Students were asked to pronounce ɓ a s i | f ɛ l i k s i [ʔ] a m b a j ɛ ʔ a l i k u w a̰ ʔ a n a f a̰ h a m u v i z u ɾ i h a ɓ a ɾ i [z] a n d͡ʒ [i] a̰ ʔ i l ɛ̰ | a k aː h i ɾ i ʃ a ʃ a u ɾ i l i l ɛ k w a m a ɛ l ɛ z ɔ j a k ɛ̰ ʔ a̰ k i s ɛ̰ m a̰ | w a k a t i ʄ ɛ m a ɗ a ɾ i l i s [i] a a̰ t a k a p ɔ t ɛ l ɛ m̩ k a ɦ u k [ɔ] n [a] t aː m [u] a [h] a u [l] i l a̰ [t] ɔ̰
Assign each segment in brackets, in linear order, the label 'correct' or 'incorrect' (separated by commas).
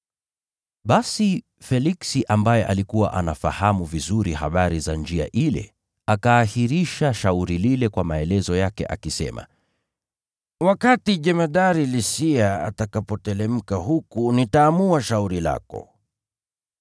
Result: correct, correct, correct, correct, incorrect, incorrect, correct, incorrect, incorrect, incorrect